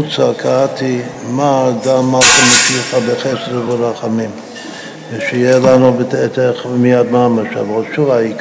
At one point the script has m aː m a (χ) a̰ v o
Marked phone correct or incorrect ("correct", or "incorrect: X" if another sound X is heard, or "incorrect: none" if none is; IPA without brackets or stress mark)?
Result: incorrect: ʃ